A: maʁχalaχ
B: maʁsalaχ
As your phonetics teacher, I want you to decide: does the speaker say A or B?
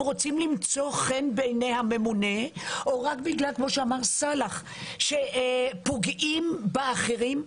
B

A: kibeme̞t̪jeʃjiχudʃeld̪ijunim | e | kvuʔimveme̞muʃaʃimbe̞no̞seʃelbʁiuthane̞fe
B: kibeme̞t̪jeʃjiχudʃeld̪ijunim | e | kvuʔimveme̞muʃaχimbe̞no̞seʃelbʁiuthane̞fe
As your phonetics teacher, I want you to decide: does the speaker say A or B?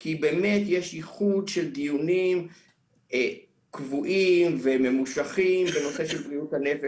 B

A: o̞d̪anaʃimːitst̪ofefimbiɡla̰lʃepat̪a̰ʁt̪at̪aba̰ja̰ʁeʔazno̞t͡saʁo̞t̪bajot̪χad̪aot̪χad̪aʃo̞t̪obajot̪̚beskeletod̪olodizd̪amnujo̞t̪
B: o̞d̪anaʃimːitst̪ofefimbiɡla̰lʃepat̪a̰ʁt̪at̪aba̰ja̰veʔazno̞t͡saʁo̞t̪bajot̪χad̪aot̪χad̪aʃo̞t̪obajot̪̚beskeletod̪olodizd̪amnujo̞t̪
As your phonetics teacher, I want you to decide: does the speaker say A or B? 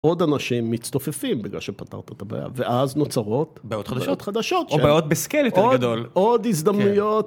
B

